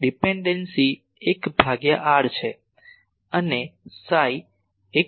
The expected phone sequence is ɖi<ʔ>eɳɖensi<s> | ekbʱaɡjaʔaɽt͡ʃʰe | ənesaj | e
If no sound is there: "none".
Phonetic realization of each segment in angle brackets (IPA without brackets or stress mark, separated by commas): p, none